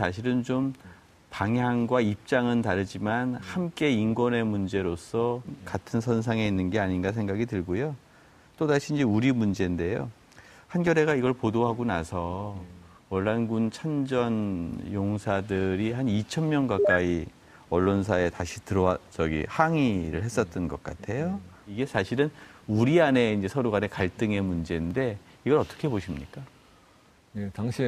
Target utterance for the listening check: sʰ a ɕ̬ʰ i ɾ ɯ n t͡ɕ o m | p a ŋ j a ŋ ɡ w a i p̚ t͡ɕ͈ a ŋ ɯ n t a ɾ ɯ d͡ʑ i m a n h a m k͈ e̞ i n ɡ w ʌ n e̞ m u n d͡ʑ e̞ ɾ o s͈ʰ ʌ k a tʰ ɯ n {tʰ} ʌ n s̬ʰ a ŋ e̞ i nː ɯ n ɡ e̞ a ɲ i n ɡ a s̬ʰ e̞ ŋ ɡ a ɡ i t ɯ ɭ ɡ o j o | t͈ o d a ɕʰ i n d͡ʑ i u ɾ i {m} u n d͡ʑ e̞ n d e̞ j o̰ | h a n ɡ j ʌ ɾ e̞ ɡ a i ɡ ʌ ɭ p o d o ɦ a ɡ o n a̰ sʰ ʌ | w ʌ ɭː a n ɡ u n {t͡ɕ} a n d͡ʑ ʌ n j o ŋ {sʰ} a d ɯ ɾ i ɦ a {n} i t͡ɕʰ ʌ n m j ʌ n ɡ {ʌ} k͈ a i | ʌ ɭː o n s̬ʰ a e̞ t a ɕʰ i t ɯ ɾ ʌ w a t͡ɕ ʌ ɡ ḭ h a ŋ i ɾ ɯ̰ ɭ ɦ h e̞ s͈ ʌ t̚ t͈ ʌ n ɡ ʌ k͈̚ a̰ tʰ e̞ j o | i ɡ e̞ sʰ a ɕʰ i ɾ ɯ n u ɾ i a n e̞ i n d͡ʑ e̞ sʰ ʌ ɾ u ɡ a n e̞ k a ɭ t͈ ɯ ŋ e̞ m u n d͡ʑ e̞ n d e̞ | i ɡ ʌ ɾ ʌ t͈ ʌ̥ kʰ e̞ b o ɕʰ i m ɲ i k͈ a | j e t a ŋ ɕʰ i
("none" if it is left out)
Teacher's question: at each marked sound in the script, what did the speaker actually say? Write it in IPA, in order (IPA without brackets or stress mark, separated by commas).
sʰ, m, t͡ɕʰ, sʰ, n, a